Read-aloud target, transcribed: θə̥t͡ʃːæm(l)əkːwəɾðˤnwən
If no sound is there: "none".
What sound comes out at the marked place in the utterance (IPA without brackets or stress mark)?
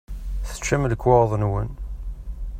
l